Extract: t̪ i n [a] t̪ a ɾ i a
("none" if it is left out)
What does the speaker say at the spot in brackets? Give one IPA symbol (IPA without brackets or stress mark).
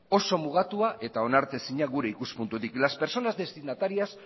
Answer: a